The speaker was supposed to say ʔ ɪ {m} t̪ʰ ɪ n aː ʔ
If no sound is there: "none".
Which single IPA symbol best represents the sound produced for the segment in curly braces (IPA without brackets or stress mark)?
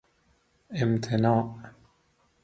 m